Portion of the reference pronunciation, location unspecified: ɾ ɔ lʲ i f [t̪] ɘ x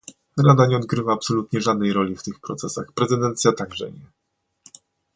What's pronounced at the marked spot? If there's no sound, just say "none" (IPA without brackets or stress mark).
t̪